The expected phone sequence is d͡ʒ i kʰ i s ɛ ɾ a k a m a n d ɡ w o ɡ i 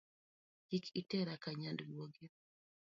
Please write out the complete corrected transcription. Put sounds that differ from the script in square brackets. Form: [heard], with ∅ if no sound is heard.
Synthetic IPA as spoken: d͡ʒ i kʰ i [t] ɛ ɾ a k a [ɲ] a n d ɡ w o ɡ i